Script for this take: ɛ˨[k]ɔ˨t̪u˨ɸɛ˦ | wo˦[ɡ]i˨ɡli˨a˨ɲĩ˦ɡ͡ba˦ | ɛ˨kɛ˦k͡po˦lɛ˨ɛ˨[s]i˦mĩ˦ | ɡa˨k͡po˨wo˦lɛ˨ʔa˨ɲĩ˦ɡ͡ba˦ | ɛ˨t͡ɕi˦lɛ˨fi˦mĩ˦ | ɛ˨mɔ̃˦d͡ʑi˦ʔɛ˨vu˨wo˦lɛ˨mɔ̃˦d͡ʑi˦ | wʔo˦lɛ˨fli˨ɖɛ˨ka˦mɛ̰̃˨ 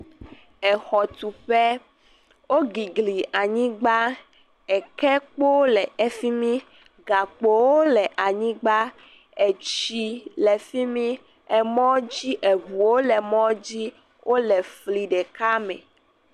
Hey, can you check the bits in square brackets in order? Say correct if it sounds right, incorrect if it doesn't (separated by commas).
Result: incorrect, correct, incorrect